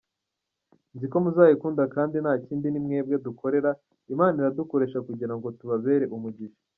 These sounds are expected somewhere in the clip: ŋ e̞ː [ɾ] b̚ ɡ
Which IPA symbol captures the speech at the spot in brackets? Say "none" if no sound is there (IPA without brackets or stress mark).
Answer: none